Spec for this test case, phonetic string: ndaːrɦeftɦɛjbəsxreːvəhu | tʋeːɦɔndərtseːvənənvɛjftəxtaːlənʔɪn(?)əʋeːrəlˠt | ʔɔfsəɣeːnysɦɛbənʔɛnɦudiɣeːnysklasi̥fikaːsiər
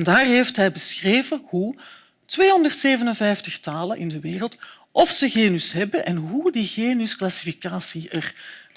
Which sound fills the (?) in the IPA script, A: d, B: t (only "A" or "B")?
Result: A